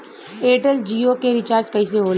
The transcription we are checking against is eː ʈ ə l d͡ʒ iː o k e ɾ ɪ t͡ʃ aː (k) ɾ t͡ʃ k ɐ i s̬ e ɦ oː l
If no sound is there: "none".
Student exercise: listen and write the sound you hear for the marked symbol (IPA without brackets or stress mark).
none